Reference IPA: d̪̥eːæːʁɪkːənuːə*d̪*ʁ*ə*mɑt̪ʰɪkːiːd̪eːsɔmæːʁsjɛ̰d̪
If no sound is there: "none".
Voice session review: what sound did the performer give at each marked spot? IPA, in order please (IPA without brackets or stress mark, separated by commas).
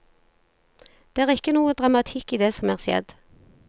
d̪, ɑ